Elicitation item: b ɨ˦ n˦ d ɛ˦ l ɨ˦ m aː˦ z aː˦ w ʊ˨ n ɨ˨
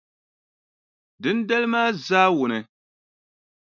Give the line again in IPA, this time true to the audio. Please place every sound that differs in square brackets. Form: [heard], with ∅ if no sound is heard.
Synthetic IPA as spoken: [d] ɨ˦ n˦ d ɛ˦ l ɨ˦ m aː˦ z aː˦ w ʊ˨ n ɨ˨